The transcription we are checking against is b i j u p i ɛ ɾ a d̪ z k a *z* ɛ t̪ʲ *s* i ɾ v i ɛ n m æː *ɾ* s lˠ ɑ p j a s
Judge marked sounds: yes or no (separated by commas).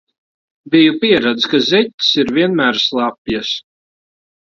yes, yes, yes